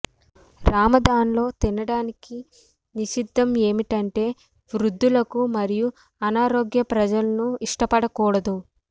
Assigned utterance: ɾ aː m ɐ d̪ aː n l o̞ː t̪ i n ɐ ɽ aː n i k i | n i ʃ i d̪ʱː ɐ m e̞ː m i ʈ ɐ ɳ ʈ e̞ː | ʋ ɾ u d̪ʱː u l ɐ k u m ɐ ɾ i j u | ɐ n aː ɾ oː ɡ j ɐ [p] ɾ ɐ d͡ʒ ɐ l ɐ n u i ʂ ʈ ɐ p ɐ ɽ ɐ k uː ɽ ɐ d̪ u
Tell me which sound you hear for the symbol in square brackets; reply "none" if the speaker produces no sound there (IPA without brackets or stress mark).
p